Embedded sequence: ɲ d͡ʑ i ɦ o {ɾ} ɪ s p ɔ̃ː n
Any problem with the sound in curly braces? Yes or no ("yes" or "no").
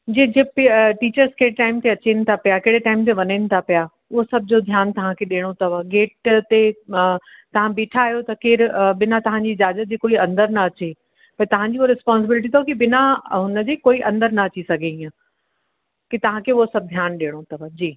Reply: no